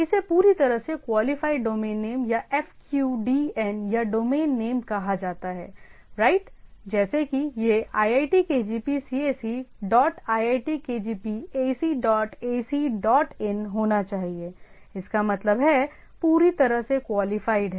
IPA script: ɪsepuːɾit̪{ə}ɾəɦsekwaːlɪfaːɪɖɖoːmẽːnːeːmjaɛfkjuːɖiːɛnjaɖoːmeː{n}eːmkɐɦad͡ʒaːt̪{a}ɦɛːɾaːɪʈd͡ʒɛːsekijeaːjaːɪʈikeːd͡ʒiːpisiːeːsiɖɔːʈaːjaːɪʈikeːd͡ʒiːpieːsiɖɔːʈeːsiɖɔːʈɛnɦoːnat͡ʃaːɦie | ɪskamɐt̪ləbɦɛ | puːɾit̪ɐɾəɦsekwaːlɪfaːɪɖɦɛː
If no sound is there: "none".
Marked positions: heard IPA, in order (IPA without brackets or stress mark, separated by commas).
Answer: ɐ, nː, a